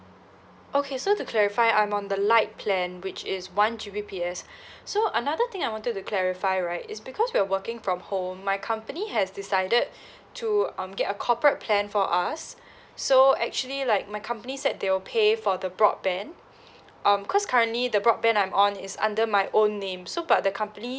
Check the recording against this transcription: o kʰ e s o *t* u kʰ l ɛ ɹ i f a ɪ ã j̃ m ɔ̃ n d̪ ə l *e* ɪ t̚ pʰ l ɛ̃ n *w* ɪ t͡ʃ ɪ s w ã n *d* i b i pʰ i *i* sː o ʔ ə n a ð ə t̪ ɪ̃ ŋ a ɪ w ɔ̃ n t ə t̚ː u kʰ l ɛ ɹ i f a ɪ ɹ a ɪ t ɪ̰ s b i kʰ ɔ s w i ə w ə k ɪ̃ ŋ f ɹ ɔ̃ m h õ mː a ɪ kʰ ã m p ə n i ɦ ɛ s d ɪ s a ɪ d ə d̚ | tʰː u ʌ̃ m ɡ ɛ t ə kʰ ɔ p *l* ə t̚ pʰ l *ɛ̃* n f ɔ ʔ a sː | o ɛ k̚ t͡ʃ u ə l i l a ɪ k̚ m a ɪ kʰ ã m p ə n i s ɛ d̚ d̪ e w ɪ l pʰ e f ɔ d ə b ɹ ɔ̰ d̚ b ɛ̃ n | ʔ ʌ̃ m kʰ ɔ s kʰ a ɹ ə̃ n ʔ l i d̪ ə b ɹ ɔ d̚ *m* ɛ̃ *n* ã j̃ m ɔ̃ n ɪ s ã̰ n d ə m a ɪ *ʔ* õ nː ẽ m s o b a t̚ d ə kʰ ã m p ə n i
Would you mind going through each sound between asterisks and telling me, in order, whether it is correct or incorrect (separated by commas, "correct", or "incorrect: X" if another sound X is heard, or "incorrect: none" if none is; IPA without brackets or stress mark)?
correct, incorrect: a, correct, incorrect: d͡ʒ, incorrect: ɛ, incorrect: ɹ, correct, incorrect: b, correct, correct